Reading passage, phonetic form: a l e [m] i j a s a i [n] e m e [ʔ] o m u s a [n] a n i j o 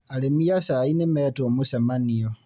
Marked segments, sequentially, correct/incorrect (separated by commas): correct, correct, incorrect, incorrect